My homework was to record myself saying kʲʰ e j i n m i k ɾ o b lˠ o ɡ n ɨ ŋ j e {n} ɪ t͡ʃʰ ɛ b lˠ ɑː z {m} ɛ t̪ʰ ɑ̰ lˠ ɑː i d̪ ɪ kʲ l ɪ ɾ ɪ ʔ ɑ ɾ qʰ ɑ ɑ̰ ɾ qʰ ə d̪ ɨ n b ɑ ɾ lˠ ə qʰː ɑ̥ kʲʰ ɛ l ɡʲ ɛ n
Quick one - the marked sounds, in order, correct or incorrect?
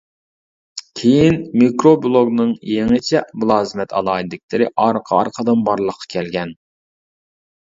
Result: incorrect, correct

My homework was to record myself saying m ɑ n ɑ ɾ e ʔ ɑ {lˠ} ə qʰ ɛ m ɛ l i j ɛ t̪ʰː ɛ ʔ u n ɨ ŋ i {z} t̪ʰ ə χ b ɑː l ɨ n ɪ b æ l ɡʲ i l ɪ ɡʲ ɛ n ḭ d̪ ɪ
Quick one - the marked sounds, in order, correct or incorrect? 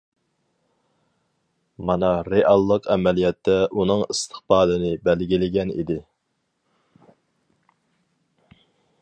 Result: incorrect, incorrect

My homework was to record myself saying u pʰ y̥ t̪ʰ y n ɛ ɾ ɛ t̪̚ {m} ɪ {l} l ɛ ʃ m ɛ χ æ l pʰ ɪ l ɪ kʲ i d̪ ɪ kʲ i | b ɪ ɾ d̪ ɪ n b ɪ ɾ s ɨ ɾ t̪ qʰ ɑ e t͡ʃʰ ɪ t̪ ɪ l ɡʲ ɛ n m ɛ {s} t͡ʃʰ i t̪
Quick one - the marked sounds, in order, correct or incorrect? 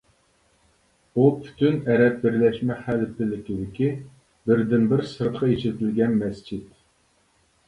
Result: incorrect, incorrect, correct

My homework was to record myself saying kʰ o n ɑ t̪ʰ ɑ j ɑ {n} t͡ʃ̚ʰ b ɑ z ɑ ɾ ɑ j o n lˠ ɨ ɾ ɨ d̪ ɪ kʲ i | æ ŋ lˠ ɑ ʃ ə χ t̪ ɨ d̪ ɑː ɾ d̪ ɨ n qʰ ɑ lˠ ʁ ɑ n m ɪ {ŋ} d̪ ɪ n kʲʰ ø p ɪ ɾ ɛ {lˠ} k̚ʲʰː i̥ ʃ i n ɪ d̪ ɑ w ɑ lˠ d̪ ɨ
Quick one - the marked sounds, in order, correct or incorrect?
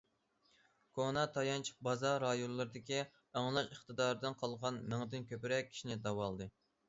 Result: correct, correct, incorrect

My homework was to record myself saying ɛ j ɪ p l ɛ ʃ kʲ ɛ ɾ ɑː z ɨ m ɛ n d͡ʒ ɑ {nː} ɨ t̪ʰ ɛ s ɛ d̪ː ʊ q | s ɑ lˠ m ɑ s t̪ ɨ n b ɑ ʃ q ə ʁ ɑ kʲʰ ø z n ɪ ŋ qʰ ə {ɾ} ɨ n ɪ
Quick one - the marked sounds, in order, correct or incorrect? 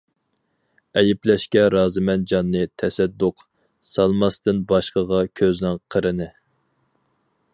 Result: correct, correct

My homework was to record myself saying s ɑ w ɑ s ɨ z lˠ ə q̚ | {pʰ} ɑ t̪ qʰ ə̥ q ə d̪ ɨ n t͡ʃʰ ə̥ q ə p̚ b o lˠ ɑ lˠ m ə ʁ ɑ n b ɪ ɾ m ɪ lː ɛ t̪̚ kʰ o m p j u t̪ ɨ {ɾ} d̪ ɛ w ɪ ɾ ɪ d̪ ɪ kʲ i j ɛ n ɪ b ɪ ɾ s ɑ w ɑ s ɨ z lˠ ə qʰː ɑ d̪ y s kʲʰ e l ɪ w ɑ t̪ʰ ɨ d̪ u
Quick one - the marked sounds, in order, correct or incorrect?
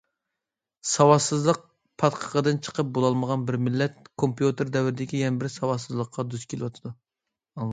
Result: correct, correct

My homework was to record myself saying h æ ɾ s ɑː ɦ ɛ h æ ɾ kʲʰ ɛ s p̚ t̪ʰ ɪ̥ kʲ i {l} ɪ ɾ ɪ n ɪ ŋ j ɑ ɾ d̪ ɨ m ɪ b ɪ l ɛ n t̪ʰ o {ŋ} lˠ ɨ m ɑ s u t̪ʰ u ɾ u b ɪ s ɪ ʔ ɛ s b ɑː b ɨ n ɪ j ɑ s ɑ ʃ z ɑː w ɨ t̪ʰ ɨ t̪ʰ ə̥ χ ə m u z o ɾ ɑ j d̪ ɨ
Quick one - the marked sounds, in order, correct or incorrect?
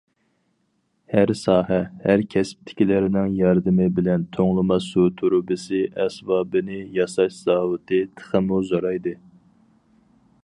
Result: correct, correct

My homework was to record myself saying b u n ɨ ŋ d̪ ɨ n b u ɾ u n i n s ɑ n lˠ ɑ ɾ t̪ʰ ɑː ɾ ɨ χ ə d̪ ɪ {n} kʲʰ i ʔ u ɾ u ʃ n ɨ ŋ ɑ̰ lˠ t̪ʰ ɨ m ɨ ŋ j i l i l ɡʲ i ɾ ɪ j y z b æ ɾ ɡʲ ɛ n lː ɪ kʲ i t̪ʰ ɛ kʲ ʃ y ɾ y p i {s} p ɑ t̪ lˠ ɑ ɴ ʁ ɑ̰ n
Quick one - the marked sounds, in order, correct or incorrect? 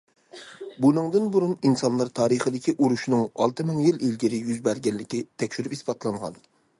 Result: incorrect, correct

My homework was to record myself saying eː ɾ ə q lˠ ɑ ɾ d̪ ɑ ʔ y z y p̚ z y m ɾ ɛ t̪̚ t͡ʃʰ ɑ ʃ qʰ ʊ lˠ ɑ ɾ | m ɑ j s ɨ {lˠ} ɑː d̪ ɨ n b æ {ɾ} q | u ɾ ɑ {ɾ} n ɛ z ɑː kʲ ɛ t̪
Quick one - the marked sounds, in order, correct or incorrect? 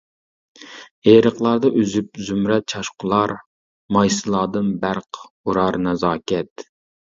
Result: correct, correct, correct

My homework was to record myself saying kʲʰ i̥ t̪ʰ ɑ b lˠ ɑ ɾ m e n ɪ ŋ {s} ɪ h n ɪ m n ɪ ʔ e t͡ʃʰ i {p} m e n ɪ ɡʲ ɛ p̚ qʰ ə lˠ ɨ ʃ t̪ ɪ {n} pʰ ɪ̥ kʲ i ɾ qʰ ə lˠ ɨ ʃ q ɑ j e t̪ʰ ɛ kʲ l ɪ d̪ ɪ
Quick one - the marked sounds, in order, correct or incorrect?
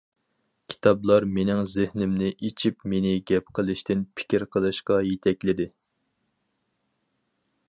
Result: incorrect, correct, correct

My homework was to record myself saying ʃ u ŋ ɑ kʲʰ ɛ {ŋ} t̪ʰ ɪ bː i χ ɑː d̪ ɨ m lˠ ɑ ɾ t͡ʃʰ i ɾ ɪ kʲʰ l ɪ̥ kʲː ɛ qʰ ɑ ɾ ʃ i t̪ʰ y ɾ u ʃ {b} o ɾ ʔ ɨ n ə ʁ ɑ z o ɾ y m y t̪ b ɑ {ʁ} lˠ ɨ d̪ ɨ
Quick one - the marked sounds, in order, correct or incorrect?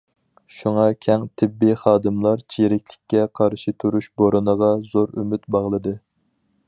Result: correct, correct, correct

